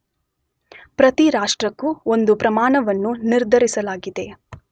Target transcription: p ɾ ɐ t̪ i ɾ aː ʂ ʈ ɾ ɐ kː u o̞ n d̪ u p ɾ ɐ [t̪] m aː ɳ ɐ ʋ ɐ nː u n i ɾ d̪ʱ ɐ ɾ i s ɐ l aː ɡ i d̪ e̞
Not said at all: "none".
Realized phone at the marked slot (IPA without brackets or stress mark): none